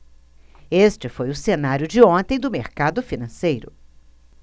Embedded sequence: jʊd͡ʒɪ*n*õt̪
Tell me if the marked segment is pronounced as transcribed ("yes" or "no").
no